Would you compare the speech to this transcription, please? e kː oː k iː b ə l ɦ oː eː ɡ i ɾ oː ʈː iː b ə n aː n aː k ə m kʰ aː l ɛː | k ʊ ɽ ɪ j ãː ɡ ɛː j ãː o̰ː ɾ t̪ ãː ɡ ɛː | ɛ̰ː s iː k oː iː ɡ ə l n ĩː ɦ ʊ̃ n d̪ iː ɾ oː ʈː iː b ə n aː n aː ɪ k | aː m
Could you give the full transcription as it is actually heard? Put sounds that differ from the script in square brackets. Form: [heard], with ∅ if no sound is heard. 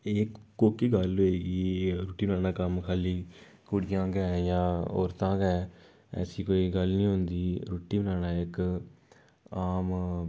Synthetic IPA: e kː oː k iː [ɡ] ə l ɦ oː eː ɡ i ɾ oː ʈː iː b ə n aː n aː k ə m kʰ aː l [iː] | k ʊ ɽ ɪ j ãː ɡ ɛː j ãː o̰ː ɾ t̪ ãː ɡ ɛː | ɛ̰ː s iː k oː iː ɡ ə l n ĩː ɦ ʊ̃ n d̪ iː ɾ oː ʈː iː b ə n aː n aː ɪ k | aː m